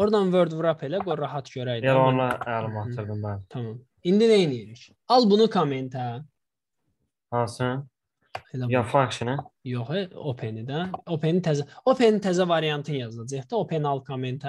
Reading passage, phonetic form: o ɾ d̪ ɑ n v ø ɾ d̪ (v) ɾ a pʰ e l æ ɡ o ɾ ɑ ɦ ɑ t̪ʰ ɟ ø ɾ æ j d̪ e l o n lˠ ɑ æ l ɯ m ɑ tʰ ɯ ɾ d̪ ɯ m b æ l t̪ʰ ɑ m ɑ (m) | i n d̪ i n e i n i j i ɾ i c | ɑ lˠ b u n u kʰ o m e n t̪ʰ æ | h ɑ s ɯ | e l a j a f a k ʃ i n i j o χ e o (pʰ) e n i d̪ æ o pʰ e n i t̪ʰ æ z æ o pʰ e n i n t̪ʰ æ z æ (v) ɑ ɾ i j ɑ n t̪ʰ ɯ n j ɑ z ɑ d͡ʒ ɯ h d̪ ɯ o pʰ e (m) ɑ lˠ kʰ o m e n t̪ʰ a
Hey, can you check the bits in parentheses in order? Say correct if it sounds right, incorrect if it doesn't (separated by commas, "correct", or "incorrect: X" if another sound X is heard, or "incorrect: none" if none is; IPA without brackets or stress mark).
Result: correct, correct, correct, correct, incorrect: n